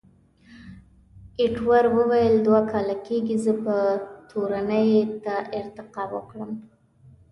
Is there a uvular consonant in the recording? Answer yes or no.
yes